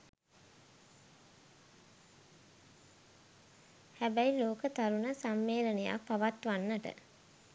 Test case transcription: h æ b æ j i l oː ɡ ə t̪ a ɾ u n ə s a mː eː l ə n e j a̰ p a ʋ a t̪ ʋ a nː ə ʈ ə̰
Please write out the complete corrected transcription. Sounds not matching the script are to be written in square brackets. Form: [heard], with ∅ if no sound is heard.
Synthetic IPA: h æ b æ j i l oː [k] ə t̪ a ɾ u n ə s a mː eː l ə n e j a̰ p a ʋ a t̪ ʋ a nː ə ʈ ə̰